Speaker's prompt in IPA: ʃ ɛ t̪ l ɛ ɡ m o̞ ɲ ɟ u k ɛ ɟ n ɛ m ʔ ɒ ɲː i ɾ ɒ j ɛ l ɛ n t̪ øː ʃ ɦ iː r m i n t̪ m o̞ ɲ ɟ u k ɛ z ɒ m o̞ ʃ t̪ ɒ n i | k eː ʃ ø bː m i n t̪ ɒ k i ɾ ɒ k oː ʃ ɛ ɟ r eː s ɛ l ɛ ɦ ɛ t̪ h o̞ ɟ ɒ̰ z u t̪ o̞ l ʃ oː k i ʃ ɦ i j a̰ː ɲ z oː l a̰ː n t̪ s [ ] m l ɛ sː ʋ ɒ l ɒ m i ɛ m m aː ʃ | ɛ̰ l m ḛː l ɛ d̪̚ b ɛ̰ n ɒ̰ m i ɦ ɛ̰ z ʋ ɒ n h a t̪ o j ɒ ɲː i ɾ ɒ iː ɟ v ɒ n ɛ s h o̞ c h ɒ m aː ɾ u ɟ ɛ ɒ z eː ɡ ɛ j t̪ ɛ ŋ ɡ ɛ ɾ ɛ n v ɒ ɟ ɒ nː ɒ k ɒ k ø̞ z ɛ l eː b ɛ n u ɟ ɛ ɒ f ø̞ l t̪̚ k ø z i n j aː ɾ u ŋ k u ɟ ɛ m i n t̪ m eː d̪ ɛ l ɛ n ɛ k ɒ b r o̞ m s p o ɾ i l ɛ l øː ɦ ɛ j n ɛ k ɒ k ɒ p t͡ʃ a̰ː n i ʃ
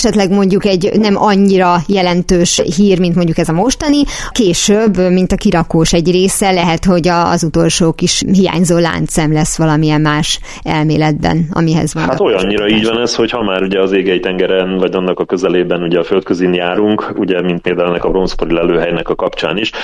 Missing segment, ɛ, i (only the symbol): ɛ